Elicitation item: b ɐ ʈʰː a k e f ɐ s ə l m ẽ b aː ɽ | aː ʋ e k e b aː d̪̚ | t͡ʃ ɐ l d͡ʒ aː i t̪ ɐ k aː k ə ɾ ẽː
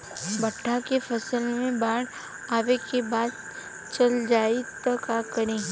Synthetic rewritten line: b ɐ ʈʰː a k e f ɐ s ə l m ẽ b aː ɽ | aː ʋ e k e b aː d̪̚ | t͡ʃ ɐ l d͡ʒ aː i t̪ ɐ k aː k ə ɾ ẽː